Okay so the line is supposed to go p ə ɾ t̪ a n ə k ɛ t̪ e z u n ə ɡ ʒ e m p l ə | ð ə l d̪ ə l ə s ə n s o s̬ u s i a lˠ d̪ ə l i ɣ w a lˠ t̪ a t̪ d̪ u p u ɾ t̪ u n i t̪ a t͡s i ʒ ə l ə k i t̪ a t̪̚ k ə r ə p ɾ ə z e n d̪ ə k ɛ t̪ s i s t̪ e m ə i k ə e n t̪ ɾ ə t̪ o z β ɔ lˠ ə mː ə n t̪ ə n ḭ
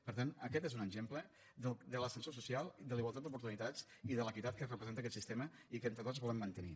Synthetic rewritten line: p ə ɾ t̪ a n ə k ɛ t̪ e z u n ə ɡ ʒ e m p l ə | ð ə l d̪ ə l ə s ə n s o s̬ u s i a lˠ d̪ ə l i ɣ w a lˠ t̪ a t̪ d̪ u p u ɾ t̪ u n i t̪ a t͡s i ð ə l ə k i t̪ a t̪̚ k ə r ə p ɾ ə z e n t̪ ə k ɛ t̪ s i s t̪ e m ə i k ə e n t̪ ɾ ə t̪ o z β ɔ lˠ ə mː ə n t̪ ə n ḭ